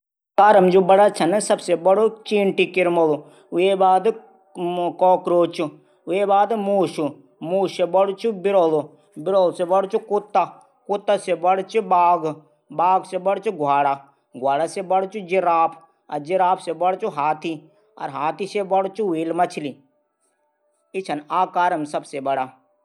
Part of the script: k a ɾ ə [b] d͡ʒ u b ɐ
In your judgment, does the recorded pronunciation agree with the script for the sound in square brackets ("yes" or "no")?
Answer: no